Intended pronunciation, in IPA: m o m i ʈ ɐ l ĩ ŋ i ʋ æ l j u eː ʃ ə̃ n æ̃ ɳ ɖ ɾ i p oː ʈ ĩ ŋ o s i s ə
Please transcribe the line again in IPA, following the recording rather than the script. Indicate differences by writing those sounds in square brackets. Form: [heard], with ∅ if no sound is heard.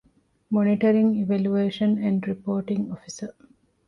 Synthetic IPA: m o [n] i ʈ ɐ [ɾ] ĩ ŋ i ʋ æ l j u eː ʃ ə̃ n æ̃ ɳ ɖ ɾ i p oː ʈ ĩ ŋ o [f] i s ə

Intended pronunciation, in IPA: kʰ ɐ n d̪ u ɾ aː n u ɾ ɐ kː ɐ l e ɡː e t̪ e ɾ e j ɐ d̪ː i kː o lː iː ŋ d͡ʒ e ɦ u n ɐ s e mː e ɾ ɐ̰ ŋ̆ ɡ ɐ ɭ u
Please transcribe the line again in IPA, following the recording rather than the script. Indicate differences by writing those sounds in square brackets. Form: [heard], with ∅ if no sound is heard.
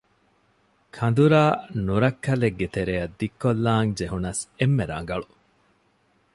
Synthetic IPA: kʰ ɐ n d̪ u ɾ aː n u ɾ ɐ kː ɐ l e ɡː e t̪ e ɾ e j ɐ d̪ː i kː o lː [aː] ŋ d͡ʒ e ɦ u n ɐ s e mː e ɾ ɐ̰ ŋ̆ ɡ ɐ ɭ u

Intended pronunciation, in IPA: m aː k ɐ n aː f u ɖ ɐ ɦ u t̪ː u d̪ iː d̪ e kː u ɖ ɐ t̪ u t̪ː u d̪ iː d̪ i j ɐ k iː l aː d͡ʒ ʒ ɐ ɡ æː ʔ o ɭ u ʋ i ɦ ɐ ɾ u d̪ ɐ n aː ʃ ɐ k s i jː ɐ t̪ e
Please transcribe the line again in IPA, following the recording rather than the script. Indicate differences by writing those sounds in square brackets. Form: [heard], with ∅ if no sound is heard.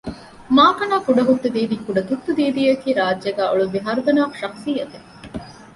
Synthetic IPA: m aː k ɐ n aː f u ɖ ɐ ɦ u t̪ː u d̪ iː d̪ [i] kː u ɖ ɐ t̪ u t̪ː u d̪ iː d̪ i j ɐ k iː [ɾ] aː d͡ʒ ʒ ɐ ɡ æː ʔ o ɭ u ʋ i ɦ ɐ ɾ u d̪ ɐ n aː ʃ ɐ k s i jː ɐ t̪ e

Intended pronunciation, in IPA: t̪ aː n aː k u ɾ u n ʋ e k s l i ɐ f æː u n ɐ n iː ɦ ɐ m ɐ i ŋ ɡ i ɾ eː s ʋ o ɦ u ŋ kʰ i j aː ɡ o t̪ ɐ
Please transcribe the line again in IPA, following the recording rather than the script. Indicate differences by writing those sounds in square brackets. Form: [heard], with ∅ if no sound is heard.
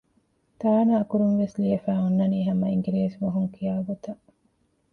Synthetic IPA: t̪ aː n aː k u ɾ u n ʋ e [∅] s l i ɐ f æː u [nː] ɐ n iː ɦ ɐ m ɐ i ŋ ɡ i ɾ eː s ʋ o ɦ u ŋ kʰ i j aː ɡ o t̪ ɐ

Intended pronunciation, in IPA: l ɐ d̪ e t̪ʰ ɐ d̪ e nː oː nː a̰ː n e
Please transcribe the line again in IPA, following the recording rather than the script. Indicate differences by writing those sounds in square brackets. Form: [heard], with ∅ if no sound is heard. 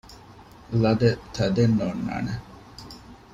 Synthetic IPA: l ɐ d̪ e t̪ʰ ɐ d̪ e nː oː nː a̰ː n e

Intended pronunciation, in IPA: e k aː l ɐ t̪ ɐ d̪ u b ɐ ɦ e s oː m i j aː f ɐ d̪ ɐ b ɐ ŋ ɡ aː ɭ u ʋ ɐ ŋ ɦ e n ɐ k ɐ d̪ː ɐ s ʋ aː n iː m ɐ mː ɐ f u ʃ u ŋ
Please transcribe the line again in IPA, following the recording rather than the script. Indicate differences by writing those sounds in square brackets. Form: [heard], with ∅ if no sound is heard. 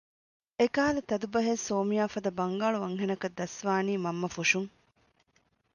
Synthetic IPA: e k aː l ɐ t̪ ɐ d̪ u b ɐ ɦ e s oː m i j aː f ɐ d̪ ɐ b ɐ ŋ ɡ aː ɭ u ʋ ɐ ŋ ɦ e n ɐ k ɐ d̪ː ɐ s ʋ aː n iː m ɐ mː ɐ f u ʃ u ŋ

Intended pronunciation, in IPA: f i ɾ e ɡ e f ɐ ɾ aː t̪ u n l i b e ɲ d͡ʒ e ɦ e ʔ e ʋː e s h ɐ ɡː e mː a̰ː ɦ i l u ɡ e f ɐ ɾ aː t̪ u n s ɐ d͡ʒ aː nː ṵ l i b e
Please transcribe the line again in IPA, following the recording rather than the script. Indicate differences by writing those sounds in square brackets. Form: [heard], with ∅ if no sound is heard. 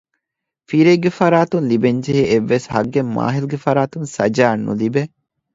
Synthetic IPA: f i ɾ e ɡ e f ɐ ɾ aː t̪ u n l i b e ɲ d͡ʒ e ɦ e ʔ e ʋː e s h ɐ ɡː e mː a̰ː ɦ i l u ɡ e f ɐ ɾ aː t̪ u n s ɐ d͡ʒ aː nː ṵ l i b e

